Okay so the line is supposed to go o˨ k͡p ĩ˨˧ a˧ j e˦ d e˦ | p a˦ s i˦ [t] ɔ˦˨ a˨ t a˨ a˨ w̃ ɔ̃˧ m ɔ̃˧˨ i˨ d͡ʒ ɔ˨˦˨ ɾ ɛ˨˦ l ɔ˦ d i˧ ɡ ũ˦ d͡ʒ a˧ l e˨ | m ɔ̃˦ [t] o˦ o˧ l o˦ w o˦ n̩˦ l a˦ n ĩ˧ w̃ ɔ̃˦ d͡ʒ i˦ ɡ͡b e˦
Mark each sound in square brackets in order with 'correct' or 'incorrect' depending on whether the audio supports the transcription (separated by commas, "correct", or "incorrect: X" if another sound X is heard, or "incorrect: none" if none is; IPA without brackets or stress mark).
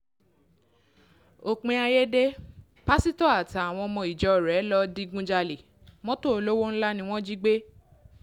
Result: correct, correct